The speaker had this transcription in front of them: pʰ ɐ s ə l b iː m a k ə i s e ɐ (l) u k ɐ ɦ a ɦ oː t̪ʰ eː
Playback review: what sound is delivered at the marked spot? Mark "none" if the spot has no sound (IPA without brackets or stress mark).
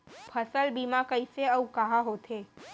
none